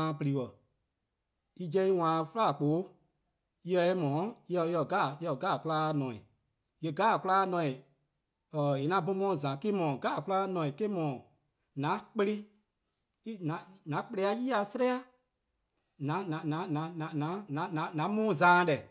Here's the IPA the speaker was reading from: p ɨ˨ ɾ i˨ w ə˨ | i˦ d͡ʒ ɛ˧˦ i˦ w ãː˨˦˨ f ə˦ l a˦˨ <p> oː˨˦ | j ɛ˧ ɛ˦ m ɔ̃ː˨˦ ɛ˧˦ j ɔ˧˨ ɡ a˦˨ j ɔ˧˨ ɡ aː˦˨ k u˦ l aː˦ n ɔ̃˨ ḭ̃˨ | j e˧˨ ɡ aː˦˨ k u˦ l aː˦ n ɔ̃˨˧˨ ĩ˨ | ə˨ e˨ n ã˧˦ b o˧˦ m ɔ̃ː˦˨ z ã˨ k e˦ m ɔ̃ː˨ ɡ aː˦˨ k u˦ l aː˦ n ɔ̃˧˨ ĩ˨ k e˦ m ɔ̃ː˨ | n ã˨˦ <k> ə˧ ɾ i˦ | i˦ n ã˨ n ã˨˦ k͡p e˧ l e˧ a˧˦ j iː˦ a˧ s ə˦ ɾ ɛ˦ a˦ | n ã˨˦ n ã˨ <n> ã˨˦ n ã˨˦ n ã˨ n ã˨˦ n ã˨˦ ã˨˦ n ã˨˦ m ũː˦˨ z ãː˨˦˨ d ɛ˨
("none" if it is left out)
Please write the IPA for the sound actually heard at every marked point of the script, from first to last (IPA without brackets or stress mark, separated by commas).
k͡p, k͡p, n